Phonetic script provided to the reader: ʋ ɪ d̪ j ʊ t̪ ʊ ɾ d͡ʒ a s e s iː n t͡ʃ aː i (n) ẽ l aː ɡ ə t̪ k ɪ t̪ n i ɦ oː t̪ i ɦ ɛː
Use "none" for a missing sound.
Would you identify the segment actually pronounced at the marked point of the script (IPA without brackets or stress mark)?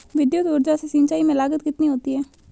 m